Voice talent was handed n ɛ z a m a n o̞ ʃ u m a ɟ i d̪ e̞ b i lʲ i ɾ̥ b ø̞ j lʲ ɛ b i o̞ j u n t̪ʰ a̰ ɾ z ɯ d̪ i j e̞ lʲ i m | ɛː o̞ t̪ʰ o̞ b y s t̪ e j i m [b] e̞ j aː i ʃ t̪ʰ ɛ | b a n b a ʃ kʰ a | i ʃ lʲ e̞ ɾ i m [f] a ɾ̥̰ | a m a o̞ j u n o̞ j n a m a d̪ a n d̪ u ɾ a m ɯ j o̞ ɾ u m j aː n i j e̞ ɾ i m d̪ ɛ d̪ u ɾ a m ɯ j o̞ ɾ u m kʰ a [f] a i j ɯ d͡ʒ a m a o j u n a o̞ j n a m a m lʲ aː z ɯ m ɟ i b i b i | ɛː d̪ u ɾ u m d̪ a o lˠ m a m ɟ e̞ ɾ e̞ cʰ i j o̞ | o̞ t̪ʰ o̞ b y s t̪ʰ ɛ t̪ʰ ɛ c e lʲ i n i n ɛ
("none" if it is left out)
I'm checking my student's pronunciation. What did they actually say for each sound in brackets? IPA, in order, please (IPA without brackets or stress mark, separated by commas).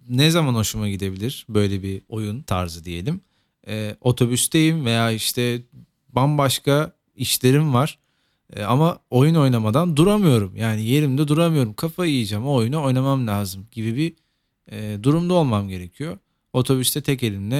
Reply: v, v, f